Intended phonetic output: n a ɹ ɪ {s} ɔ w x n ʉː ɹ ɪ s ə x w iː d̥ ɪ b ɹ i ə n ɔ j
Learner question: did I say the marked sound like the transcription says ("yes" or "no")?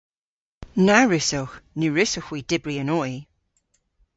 yes